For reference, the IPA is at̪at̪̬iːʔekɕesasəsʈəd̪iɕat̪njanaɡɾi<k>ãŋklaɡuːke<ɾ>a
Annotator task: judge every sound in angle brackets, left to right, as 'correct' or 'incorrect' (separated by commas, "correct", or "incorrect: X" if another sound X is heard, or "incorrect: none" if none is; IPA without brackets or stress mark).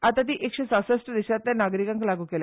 correct, incorrect: l